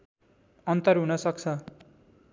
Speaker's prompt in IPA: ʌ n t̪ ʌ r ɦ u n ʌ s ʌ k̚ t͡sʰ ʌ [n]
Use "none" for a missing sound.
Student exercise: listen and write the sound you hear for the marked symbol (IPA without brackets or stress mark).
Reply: none